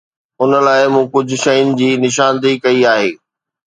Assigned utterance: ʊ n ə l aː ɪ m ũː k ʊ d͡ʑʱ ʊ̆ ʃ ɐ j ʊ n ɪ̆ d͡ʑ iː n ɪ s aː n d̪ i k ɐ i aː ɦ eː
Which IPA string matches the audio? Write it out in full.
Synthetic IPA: ʊ n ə l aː ɪ m ũː k ʊ d͡ʑʱ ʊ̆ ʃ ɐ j ʊ n ɪ̆ d͡ʑ iː n ɪ ʃ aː n d̪ i k ɐ i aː ɦ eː